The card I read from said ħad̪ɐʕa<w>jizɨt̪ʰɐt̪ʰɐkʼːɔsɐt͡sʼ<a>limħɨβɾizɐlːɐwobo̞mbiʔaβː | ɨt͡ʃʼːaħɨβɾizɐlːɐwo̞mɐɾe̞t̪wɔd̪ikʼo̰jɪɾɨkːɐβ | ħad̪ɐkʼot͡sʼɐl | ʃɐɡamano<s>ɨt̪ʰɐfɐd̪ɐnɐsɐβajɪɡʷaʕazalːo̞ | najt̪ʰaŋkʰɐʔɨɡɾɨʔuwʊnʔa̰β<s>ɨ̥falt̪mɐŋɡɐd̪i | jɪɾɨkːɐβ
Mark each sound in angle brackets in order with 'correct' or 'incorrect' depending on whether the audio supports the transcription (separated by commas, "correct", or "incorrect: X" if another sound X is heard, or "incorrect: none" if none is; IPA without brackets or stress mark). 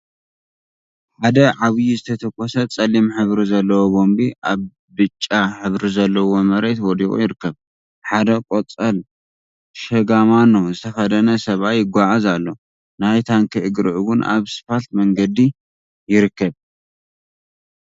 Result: incorrect: β, incorrect: ɐ, incorrect: z, correct